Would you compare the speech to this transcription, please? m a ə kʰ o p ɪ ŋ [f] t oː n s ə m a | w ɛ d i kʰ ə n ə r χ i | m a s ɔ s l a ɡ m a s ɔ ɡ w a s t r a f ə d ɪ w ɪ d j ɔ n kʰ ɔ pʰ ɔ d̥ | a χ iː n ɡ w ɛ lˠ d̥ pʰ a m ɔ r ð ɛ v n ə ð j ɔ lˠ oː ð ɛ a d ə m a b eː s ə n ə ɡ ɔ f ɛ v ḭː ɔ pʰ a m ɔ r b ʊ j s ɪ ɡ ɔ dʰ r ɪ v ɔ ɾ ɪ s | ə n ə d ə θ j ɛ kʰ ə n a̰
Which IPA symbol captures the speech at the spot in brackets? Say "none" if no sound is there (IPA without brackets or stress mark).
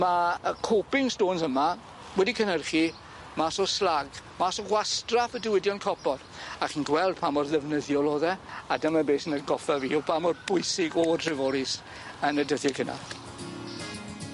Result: s